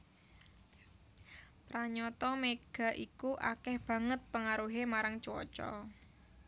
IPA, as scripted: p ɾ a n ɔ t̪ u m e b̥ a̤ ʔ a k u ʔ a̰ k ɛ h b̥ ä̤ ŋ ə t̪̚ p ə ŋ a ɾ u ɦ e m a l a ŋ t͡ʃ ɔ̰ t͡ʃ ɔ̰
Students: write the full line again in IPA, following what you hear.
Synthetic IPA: p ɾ a ɲ ɔ t̪ ɔ m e ɡ̥ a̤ ʔ i k u ʔ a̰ k ɛ h b̥ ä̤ ŋ ə t̪̚ p ə ŋ a ɾ u ɦ e m a ɾ a ŋ t͡ʃ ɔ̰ t͡ʃ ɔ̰